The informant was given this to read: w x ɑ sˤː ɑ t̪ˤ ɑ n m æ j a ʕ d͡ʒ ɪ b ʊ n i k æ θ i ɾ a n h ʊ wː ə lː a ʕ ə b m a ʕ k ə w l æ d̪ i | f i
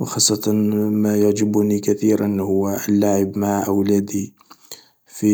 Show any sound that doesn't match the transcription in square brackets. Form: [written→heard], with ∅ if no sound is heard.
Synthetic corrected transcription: w x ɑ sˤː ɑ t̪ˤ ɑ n m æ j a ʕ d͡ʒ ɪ b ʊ n i k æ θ i ɾ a n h ʊ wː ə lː a ʕ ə b m a ʕ [k→ʔ] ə w l æ d̪ i | f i